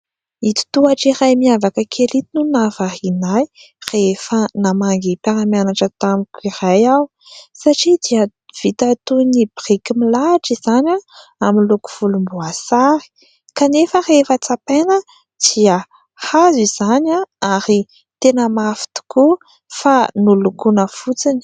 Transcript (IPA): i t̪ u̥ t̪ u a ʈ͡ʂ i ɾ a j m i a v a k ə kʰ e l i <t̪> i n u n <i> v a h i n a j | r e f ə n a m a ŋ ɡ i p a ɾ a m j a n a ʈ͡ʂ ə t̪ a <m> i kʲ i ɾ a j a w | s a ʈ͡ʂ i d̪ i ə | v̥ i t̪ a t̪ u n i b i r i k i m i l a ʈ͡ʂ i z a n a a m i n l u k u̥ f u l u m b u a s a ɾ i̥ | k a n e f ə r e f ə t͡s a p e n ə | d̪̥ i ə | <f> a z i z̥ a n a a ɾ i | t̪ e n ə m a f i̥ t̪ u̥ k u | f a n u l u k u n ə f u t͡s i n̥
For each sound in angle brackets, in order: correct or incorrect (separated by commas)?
correct, incorrect, correct, incorrect